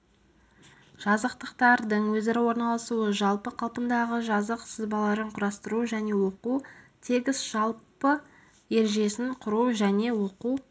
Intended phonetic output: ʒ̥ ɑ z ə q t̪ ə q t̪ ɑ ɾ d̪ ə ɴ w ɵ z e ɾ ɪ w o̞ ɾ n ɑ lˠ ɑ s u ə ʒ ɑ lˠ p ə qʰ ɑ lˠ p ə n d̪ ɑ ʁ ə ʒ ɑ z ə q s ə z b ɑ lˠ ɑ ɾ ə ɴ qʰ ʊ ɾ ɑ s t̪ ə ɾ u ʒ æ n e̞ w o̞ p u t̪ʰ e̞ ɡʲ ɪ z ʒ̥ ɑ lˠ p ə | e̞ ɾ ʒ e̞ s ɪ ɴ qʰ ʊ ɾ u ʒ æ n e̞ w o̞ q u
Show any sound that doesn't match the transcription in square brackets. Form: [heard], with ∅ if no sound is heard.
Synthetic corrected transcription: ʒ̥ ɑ z ə q t̪ ə q t̪ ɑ ɾ d̪ ə ɴ w ɵ z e ɾ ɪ w o̞ ɾ n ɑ lˠ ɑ s u ə ʒ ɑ lˠ p ə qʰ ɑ lˠ p ə n d̪ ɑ ʁ ə ʒ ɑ z ə q s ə z b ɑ lˠ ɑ ɾ ə ɴ qʰ ʊ ɾ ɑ s t̪ ə ɾ u ʒ æ n e̞ w o̞ [q] u t̪ʰ e̞ ɡʲ ɪ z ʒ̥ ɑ lˠ p ə | e̞ ɾ ʒ e̞ s ɪ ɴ qʰ ʊ ɾ u ʒ æ n e̞ w o̞ q u